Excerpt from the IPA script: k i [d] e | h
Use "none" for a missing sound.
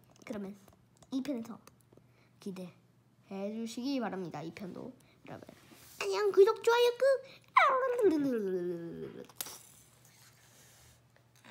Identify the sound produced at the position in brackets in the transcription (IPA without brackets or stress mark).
d